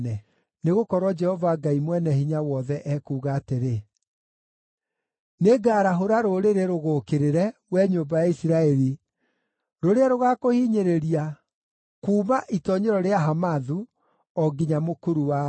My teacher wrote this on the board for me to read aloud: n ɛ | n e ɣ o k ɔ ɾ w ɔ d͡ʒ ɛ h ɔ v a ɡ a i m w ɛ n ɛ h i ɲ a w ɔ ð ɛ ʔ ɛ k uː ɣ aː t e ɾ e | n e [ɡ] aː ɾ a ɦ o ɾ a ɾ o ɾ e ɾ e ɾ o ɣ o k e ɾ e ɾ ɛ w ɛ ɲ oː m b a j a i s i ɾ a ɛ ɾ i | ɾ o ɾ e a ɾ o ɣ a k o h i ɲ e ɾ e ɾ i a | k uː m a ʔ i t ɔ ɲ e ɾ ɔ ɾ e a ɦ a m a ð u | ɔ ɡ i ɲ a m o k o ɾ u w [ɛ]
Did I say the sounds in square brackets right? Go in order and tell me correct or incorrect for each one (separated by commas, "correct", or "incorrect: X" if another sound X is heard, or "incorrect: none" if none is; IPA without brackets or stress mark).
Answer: correct, incorrect: a